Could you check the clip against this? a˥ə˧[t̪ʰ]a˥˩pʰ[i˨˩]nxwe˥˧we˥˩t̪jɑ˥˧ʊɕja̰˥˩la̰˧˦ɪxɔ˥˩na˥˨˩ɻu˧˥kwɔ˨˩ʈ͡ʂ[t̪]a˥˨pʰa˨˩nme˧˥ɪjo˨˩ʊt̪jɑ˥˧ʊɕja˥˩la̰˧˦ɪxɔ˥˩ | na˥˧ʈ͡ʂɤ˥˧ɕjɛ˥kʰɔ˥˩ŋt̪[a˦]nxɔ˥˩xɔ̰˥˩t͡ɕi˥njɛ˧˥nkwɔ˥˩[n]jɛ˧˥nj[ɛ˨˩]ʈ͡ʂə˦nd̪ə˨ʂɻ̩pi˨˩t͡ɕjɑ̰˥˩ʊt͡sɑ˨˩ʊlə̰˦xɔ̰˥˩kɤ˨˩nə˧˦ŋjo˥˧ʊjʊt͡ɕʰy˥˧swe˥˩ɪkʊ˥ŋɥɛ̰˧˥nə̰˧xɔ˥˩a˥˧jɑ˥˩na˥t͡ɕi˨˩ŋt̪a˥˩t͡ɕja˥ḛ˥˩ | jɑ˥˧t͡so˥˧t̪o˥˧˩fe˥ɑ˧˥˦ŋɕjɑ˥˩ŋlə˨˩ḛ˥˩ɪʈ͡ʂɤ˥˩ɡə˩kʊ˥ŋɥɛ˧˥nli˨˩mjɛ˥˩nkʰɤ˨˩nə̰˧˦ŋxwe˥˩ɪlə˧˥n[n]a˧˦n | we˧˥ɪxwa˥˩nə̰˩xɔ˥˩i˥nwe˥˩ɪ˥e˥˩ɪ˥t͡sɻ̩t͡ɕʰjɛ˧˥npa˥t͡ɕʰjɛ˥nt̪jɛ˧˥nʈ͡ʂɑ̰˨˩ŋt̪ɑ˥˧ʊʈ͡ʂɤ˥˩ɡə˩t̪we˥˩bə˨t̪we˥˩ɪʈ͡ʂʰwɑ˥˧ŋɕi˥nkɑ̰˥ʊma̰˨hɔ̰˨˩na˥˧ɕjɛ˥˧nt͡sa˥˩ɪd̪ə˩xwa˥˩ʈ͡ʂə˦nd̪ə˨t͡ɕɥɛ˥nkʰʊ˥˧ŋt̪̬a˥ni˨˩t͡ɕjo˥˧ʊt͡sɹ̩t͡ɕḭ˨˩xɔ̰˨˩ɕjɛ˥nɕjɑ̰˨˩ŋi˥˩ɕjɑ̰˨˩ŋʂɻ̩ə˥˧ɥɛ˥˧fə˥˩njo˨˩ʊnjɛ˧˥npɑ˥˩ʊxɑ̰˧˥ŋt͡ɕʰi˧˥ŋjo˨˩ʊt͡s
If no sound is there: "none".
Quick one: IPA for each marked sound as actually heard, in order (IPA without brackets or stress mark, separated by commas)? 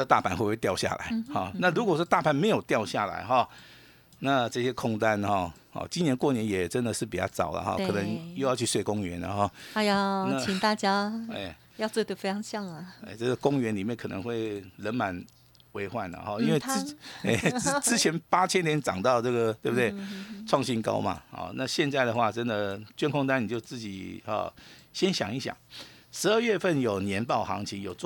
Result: t̪, a˨˩, t̪, a˦, n, ɛ˨˩, m